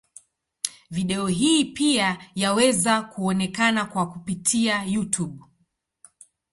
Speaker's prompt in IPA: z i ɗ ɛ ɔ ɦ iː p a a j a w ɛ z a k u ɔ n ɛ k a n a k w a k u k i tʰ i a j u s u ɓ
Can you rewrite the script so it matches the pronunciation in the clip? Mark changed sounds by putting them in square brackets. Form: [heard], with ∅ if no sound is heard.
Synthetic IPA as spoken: [v] i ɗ ɛ ɔ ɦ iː p [i] a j a w ɛ z a k u ɔ n ɛ k a n a k w a k u [p] i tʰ i a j u [t] u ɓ